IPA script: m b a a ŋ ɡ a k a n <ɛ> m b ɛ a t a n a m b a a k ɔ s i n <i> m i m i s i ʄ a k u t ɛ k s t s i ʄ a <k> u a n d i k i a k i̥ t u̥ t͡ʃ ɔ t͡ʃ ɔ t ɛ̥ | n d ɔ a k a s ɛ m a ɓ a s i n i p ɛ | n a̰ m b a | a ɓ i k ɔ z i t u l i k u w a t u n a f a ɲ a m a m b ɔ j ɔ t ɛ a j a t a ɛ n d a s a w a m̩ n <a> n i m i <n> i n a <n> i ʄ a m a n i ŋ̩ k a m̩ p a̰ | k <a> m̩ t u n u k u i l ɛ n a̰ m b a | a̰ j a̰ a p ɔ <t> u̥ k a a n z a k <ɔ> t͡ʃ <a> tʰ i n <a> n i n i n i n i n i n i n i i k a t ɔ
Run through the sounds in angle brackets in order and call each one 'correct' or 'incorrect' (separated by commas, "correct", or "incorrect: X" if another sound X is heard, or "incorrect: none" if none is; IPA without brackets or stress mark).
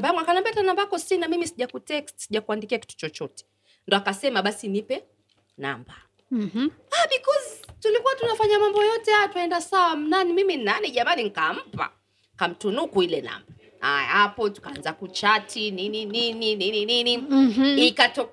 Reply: incorrect: a, incorrect: a, correct, correct, incorrect: m, correct, correct, correct, incorrect: u, correct, incorrect: i